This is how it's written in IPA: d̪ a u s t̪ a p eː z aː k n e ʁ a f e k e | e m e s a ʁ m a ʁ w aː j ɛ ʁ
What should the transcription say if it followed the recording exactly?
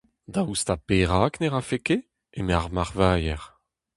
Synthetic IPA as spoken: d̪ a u s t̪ a p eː ʁ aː k n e ʁ a f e k e | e m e a ʁ m a ʁ v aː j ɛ ʁ